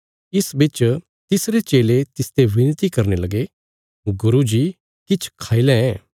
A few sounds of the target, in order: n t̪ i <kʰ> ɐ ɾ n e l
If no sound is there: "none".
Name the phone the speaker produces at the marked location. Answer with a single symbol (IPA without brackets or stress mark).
k